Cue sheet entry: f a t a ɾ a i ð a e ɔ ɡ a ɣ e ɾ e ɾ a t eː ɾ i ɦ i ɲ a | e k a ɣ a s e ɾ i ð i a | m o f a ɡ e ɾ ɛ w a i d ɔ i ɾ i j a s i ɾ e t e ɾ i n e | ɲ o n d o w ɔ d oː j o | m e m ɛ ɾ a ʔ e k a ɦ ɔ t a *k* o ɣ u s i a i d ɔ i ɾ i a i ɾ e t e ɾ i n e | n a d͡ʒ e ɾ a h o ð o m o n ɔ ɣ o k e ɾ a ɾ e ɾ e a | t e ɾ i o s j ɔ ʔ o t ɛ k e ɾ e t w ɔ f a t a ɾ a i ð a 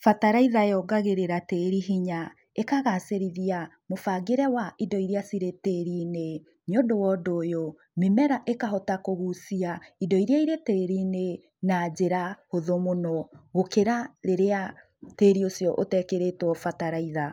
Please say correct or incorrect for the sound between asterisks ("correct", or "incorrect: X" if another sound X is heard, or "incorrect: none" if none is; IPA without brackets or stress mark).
correct